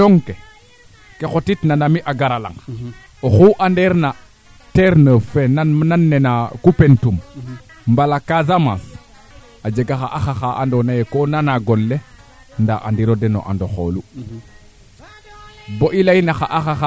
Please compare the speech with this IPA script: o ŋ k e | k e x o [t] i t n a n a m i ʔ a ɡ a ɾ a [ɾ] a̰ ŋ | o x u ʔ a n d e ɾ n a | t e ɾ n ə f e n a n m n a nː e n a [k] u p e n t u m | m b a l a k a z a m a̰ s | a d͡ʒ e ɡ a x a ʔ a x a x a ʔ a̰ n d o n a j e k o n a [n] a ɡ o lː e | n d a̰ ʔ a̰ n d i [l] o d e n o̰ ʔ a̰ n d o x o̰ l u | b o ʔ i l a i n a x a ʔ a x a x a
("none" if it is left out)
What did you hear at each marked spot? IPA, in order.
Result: t, l, k, n, ɾ

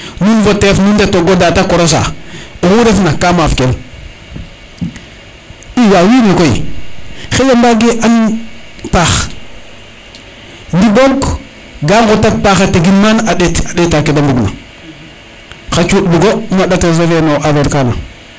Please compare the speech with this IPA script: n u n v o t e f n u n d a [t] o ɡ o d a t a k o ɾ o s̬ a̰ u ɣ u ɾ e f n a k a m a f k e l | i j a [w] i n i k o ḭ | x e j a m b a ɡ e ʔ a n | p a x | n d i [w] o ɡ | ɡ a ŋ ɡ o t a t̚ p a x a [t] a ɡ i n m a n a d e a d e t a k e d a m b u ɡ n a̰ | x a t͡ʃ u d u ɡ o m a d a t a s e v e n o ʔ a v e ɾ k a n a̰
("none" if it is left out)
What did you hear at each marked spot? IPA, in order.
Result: t, w, b, t

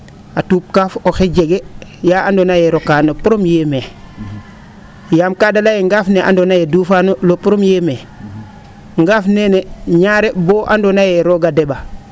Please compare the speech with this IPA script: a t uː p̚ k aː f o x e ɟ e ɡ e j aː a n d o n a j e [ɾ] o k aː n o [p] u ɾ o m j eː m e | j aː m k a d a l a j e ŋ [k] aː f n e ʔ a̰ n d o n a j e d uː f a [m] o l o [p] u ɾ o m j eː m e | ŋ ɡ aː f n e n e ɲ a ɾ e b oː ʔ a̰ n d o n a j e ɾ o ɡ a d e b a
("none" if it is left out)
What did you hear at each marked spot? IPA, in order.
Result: ɾ, p, ɡ, n, p

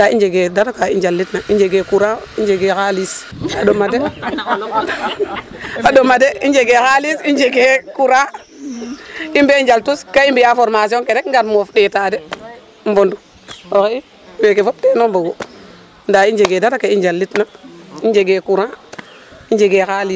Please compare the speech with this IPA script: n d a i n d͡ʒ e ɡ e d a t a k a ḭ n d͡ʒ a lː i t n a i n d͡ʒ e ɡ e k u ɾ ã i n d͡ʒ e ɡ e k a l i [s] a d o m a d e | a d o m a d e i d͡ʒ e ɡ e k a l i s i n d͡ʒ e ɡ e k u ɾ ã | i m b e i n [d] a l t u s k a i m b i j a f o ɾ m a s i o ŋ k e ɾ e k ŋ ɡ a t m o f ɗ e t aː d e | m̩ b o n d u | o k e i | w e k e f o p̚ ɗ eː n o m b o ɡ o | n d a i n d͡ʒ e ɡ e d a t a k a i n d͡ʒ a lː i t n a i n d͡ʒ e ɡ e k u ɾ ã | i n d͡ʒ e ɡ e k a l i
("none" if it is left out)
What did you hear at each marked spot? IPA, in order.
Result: s, d͡ʒ

